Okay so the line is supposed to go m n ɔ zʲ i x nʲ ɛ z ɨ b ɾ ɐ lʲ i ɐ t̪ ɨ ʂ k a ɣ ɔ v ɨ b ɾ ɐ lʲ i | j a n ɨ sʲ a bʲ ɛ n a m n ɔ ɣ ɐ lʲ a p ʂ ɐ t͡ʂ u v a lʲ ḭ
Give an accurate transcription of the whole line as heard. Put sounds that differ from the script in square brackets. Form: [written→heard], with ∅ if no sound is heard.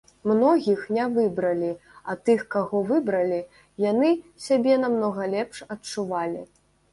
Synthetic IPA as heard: m n ɔ [zʲ→ɣʲ] i x nʲ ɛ [z→v] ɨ b ɾ ɐ lʲ i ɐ t̪ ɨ [ʂ→x] k a ɣ ɔ v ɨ b ɾ ɐ lʲ i | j a n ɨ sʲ a bʲ ɛ n a m n ɔ ɣ ɐ lʲ [a→ɛ] p ʂ ɐ t͡ʂ u v a lʲ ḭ